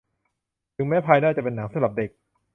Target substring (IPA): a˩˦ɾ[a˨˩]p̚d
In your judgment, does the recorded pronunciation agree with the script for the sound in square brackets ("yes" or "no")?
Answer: yes